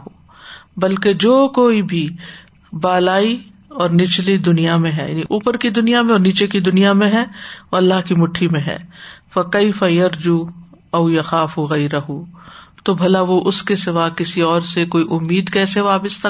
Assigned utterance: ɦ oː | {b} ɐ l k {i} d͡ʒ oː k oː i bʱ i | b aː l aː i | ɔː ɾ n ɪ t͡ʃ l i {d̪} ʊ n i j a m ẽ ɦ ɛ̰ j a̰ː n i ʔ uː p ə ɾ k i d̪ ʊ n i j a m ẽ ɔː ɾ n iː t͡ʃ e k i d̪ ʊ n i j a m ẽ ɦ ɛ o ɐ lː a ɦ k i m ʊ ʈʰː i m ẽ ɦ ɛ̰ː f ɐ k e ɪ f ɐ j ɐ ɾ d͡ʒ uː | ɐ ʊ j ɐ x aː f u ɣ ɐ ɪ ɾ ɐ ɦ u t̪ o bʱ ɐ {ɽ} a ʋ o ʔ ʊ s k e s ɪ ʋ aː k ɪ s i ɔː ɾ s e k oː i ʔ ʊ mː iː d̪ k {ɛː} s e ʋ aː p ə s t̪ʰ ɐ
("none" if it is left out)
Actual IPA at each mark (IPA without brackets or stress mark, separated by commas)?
b, e, d̪, l, ɛː